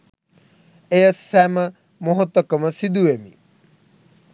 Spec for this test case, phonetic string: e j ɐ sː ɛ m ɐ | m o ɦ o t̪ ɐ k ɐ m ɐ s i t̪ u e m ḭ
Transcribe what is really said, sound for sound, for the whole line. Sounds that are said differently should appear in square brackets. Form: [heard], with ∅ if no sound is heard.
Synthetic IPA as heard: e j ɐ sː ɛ m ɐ | m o ɦ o t̪ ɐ k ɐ m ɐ s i [d̪] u e m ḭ